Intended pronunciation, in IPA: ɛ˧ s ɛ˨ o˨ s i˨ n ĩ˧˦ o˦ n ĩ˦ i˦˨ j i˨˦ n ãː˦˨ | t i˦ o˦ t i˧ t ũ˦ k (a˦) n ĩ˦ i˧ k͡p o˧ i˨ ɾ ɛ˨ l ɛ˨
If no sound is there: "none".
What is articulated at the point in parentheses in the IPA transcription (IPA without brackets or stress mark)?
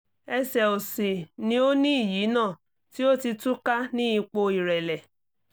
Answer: a˦